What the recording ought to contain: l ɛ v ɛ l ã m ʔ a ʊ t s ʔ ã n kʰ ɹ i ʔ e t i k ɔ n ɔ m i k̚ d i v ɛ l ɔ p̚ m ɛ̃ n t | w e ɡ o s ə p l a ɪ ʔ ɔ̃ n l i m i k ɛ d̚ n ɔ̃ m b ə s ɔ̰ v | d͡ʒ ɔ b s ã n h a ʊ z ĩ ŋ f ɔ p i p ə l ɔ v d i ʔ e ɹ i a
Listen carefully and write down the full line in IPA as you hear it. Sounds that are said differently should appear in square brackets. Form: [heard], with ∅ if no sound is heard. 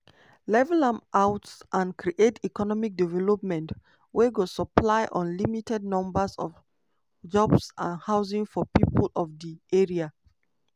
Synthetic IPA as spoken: l ɛ v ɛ l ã m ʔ a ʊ t s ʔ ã n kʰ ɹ i ʔ e t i k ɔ n ɔ m i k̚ d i v ɛ l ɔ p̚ m ɛ̃ n t | w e ɡ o s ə p l a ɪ ʔ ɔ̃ n l i m i [t] ɛ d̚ n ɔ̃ m b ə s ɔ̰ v | d͡ʒ ɔ b s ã n h a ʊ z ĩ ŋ f ɔ p i p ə l ɔ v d i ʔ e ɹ i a